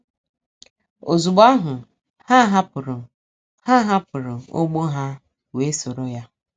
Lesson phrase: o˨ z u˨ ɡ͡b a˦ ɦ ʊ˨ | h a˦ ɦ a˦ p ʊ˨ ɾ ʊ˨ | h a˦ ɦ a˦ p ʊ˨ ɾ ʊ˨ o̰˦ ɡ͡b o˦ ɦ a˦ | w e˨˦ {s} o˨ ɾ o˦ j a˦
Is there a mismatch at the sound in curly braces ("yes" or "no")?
no